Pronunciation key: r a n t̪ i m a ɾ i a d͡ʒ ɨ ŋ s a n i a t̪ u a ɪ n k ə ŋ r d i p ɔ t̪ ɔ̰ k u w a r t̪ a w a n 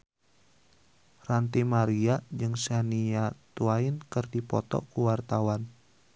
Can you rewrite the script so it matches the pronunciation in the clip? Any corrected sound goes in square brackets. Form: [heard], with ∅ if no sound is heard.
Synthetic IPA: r a n t̪ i m a ɾ i a d͡ʒ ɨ ŋ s a n i a t̪ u a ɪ n k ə [∅] r d i p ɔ t̪ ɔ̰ k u w a r t̪ a w a n